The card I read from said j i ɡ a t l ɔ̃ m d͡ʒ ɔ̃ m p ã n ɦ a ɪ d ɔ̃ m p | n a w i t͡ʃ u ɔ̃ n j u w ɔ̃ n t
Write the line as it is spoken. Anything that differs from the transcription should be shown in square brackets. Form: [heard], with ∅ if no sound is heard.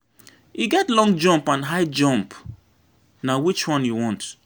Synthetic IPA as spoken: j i ɡ [ɛ] t l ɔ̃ [ŋ] d͡ʒ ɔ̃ m p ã n ɦ a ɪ [d͡ʒ] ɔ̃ m p | n a w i t͡ʃ [w] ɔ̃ n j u w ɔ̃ n t